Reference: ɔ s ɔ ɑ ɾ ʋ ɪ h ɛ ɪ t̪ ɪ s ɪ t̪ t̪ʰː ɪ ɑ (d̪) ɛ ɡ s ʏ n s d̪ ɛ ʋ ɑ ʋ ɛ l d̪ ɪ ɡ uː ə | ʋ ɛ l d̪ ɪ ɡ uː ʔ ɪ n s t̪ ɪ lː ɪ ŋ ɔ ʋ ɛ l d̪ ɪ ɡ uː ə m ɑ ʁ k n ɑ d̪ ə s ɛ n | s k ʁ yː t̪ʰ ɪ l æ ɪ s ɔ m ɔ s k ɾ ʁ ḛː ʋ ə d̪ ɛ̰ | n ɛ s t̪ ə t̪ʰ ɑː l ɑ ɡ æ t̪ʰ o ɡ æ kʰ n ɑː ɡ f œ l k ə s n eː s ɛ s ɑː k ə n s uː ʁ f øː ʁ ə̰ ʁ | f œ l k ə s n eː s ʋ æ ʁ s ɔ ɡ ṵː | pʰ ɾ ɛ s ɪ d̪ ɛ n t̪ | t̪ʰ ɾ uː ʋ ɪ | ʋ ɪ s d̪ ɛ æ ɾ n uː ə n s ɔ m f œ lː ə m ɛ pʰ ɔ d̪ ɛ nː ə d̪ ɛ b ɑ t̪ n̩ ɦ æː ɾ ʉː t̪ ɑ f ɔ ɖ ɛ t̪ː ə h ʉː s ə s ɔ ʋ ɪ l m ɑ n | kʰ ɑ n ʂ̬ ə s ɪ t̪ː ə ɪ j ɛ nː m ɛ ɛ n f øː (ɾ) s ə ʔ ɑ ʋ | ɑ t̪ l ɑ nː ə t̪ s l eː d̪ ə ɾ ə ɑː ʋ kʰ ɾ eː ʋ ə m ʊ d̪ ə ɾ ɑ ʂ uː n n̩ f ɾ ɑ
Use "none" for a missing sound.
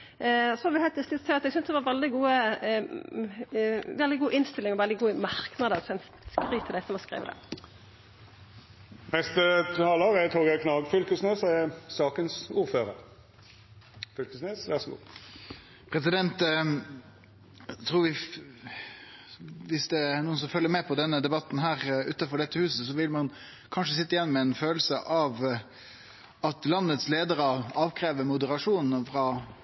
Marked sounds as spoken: t̪, l

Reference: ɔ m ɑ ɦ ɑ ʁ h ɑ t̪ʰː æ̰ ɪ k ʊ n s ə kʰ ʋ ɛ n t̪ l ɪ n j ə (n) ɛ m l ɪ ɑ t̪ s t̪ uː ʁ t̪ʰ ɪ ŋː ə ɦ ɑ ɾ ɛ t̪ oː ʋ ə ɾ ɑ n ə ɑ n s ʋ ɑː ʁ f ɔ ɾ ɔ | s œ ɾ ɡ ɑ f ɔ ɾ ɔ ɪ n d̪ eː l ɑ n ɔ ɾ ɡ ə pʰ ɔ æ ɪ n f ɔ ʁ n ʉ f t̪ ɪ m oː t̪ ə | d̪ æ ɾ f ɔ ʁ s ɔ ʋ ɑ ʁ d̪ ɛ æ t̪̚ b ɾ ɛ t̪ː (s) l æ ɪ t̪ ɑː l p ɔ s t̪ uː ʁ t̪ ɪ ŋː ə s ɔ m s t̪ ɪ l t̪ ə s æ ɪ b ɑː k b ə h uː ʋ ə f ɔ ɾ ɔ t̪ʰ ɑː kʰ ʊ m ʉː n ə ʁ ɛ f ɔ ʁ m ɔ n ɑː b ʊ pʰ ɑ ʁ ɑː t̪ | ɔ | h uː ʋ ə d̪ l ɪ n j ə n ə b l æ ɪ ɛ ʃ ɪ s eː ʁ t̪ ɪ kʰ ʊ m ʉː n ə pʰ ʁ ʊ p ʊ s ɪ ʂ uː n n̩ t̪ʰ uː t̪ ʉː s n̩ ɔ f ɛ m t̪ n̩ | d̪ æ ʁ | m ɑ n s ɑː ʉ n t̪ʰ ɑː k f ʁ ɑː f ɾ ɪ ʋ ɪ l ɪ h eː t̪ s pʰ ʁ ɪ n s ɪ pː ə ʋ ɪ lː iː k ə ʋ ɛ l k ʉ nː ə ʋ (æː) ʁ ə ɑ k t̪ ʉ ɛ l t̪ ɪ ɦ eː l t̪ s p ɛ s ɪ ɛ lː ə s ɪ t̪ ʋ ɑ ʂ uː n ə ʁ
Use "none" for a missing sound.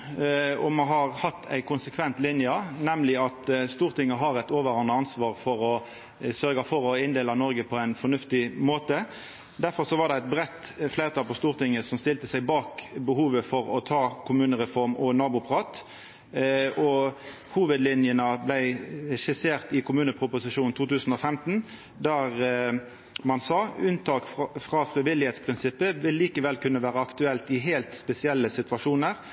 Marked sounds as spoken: n, f, æː

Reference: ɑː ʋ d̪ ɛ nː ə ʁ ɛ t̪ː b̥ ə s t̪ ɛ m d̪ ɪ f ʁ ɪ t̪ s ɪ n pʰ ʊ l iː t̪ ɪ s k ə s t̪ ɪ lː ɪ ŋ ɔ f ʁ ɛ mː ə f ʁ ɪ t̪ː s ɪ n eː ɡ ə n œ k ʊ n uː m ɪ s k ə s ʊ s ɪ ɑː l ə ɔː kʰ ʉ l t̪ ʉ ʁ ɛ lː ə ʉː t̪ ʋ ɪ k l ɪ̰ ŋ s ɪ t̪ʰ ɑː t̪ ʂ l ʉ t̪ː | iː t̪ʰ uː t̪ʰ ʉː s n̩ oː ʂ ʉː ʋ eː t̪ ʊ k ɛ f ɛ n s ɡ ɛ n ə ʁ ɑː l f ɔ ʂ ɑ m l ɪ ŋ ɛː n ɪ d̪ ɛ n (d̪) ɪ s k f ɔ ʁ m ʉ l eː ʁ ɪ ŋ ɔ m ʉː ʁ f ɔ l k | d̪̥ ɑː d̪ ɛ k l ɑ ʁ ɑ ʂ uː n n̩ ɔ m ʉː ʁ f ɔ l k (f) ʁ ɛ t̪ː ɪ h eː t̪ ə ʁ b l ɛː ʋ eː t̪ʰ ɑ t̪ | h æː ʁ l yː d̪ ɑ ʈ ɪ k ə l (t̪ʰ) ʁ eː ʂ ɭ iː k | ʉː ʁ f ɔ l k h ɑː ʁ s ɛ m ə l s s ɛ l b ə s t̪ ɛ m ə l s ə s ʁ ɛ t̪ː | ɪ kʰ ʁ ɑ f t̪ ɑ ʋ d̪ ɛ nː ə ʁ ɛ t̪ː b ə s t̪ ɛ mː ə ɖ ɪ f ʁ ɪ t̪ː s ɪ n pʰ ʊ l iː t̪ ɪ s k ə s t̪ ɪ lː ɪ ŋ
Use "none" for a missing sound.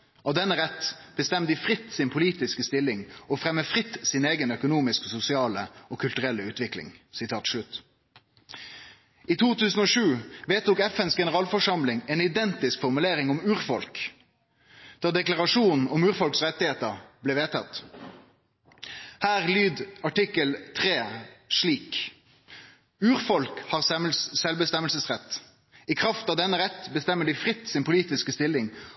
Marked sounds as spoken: t̪, s, t̪ʰ

